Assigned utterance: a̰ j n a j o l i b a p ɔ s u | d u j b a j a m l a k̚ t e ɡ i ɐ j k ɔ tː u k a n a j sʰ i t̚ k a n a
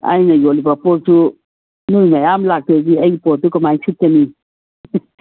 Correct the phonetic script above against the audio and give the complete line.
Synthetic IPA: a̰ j n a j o l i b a p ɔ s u | n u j m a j a m l a k̚ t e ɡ i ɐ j p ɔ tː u k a m a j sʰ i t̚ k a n i